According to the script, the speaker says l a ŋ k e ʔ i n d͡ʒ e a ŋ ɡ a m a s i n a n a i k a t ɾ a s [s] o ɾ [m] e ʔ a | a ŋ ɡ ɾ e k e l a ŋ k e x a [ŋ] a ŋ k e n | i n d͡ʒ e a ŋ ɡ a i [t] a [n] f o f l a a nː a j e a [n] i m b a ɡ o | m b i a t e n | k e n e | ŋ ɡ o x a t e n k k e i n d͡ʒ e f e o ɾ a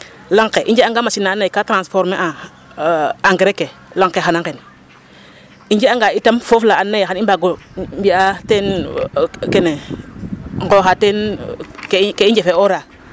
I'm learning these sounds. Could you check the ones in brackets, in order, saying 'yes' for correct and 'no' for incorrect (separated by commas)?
no, yes, no, yes, no, yes